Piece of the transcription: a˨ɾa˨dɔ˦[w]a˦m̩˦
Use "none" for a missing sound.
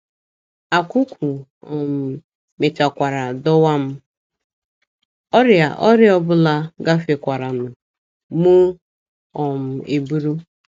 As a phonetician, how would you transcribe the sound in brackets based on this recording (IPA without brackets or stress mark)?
w